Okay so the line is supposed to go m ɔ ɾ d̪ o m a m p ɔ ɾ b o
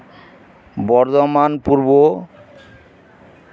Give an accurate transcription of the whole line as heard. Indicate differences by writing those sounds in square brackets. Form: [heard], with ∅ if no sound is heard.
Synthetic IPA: [b] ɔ ɾ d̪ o m a [n] p [u] ɾ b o